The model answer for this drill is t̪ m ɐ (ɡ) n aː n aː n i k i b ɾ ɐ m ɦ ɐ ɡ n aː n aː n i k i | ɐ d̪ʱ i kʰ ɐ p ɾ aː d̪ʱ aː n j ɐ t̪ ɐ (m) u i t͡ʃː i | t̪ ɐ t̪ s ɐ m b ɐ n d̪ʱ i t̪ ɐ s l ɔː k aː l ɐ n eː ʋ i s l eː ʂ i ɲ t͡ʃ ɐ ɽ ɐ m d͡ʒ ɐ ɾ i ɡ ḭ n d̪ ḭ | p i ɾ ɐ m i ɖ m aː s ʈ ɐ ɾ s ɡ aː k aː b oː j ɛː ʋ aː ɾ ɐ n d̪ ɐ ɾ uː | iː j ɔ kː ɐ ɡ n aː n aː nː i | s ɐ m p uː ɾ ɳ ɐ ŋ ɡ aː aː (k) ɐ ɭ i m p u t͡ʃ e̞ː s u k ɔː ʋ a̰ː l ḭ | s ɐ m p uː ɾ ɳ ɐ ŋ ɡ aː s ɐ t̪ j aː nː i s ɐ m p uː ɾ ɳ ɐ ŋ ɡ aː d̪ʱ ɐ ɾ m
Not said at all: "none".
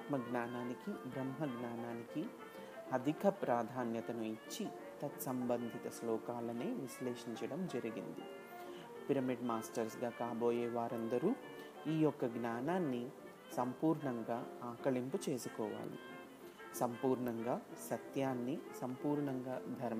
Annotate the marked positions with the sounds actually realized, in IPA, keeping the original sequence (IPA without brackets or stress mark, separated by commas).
ɡ, n, k